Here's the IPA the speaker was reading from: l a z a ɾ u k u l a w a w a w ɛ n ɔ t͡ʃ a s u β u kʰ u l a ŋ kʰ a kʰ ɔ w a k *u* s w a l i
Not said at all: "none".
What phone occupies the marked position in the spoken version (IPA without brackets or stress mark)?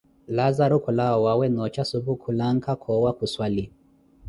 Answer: u